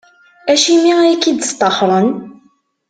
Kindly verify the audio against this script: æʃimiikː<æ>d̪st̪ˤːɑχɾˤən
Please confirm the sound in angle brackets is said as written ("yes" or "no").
no